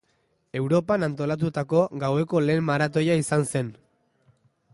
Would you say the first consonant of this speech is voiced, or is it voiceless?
voiced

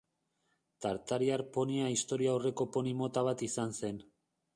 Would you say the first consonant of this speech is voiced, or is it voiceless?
voiceless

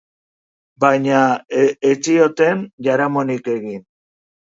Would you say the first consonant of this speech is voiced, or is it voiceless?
voiced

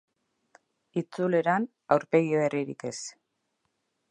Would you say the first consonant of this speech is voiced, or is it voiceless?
voiceless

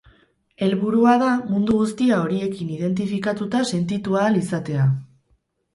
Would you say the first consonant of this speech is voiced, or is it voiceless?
voiced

